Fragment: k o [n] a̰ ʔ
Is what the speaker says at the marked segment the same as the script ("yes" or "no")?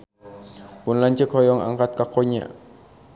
no